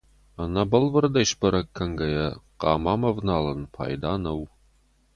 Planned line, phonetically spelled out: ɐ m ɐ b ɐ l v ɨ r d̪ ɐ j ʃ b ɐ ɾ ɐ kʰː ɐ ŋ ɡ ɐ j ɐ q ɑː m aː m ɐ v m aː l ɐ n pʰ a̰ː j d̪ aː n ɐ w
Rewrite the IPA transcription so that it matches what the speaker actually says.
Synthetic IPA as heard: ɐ n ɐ b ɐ l v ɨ r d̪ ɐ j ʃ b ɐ ɾ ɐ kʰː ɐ ŋ ɡ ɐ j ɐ q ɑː m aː m ɐ v n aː l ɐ n pʰ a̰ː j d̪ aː n ɐ w

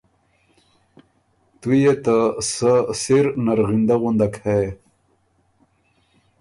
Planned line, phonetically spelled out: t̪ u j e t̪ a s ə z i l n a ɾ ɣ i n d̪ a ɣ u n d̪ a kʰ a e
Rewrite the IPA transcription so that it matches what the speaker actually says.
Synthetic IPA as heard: t̪ u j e t̪ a s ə s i ɾ n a ɾ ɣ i n d̪ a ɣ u n d̪ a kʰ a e

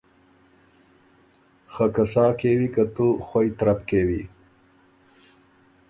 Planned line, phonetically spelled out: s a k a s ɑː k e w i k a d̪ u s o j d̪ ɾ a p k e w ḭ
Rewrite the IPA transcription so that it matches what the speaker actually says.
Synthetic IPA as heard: x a k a s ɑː k e w i k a t̪ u x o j t̪ ɾ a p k e w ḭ

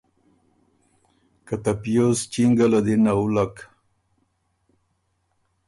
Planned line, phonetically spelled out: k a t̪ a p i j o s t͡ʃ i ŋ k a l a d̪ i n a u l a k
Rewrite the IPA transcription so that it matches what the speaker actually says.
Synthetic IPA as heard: k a t̪ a p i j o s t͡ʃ i ŋ ɡ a l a d̪ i n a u l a k

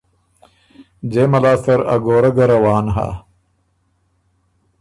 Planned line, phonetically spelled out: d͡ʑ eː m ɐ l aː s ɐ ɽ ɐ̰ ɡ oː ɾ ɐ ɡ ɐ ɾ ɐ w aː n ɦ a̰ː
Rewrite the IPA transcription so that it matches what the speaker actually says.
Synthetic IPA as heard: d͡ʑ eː m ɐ l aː s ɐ ɾ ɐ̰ ɡ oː ɾ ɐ ɡ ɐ ɾ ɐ w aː n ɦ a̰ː

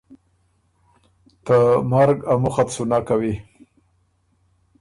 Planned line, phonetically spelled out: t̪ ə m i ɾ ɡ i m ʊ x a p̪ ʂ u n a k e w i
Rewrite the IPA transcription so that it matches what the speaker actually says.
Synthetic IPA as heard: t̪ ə m a ɾ ɡ a m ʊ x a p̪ s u n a k a w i

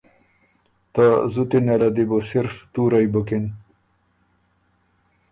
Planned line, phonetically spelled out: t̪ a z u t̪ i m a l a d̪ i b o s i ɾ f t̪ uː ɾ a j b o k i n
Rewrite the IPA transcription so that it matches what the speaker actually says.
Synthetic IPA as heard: t̪ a z u t̪ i n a l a d̪ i b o s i ɾ f t̪ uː ɾ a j b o k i n

